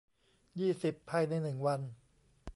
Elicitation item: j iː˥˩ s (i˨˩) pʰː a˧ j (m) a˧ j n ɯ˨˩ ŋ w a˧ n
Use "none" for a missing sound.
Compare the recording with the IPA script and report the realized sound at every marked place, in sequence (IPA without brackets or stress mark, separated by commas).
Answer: i˨˩, n